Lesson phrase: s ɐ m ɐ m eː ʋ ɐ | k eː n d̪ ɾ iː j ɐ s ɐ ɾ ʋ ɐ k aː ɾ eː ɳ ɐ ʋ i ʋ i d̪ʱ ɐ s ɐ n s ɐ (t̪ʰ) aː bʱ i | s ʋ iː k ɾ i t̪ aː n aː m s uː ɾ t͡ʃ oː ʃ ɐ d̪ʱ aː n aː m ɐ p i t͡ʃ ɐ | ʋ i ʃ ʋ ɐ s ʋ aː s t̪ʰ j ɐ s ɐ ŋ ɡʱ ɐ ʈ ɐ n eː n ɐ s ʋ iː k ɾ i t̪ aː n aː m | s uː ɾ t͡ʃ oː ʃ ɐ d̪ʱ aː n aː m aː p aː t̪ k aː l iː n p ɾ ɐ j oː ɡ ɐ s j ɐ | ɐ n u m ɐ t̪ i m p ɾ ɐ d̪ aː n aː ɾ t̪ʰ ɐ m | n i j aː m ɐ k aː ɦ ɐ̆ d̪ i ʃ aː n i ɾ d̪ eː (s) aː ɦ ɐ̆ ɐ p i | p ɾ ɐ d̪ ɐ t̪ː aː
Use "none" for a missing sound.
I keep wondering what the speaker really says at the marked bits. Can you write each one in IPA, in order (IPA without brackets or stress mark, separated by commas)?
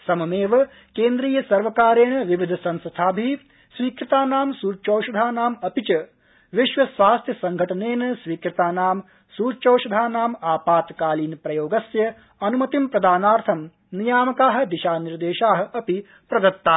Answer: t̪ʰ, ʃ